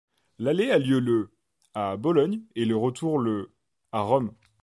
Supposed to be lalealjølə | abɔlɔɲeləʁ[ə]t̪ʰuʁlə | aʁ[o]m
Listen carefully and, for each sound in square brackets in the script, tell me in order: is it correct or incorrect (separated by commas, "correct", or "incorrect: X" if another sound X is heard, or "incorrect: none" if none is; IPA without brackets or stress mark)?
correct, incorrect: ɔ